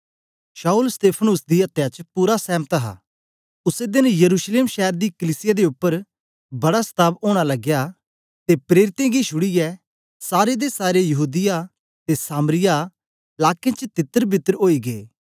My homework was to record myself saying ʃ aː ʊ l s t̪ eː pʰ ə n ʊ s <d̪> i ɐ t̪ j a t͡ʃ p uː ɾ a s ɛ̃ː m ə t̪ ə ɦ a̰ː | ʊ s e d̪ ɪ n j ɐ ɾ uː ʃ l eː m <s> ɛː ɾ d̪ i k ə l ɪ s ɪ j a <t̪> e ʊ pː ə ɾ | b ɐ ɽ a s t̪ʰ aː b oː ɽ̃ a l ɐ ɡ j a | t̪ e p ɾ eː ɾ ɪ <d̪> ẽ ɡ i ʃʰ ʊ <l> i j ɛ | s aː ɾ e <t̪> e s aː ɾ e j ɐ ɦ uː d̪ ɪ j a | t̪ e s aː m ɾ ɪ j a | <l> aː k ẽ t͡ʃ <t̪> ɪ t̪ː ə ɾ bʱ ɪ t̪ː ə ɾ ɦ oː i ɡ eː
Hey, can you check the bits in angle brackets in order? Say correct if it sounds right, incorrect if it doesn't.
correct, incorrect, incorrect, incorrect, incorrect, incorrect, correct, correct

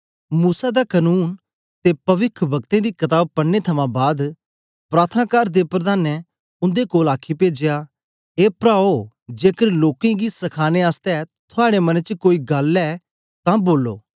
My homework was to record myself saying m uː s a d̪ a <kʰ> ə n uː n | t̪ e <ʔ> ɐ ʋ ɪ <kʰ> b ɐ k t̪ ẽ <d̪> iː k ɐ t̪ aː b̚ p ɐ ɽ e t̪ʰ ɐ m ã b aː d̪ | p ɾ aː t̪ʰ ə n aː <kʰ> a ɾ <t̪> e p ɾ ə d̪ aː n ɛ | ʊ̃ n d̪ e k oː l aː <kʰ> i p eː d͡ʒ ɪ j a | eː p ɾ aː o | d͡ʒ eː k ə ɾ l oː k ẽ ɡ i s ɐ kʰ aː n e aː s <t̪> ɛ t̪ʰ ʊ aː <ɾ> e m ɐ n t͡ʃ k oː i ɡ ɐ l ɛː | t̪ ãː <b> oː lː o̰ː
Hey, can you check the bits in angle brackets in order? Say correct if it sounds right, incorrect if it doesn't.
incorrect, incorrect, correct, correct, incorrect, incorrect, correct, correct, incorrect, correct

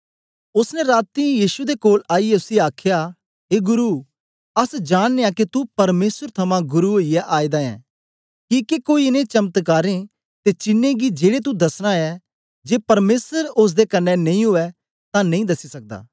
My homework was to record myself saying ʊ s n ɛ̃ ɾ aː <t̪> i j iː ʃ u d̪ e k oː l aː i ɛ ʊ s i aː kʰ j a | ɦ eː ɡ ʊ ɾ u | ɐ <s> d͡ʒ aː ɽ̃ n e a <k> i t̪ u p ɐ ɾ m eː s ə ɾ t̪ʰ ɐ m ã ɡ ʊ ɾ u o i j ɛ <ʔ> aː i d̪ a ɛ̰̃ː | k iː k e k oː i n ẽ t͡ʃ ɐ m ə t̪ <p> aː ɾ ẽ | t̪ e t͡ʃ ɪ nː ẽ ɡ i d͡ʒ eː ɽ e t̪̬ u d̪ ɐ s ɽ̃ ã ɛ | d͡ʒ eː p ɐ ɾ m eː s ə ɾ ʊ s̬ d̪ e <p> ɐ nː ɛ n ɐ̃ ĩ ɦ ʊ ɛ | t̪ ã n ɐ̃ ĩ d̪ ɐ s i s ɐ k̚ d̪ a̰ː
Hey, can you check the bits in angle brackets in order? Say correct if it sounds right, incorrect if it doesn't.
correct, correct, correct, correct, incorrect, incorrect

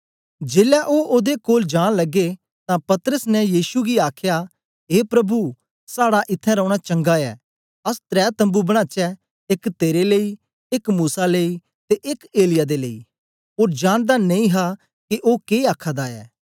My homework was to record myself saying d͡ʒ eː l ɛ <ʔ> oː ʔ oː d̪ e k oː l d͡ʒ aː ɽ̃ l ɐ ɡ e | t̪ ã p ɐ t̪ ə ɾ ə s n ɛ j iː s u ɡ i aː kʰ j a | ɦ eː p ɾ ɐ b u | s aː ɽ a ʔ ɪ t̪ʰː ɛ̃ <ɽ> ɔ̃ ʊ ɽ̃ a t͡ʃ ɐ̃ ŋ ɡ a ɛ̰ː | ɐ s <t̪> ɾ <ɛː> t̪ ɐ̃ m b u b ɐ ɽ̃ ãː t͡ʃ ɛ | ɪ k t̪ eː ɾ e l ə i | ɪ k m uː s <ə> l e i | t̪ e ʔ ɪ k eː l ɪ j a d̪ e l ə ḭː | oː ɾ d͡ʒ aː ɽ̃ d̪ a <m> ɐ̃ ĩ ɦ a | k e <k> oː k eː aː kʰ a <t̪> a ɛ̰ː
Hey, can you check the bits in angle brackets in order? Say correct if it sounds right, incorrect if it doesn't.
correct, incorrect, correct, correct, incorrect, incorrect, incorrect, incorrect

